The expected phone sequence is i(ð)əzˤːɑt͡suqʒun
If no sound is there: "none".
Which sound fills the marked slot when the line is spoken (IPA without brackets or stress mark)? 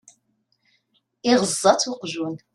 ʁ